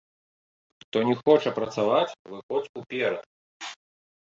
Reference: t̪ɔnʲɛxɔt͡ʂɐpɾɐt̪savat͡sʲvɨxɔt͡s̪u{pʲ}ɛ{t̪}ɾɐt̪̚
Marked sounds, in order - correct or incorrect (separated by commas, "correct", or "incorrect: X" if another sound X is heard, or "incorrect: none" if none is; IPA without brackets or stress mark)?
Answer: correct, incorrect: none